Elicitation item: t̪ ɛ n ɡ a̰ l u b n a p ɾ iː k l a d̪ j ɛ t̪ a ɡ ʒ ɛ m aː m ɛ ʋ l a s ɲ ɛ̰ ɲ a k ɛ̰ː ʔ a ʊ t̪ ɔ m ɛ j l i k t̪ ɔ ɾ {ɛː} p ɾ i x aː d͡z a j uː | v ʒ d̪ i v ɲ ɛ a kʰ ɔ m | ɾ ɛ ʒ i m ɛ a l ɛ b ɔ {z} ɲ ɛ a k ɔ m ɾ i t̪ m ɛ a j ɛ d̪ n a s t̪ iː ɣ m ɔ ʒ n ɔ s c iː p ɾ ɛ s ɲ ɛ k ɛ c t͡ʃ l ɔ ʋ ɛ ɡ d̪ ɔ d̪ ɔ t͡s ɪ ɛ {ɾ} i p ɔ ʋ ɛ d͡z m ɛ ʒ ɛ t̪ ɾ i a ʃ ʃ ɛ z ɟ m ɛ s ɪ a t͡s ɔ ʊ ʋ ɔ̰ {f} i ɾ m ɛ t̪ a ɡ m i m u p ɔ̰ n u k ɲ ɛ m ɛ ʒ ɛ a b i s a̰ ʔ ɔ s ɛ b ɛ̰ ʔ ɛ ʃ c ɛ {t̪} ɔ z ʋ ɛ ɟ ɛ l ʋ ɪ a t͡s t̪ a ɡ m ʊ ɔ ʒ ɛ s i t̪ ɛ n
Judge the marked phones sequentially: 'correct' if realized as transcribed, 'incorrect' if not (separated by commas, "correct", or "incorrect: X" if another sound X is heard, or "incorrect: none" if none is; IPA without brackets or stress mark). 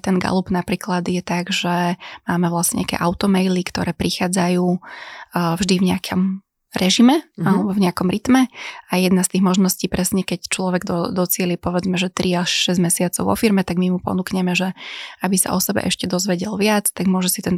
correct, incorrect: v, incorrect: l, correct, incorrect: d̪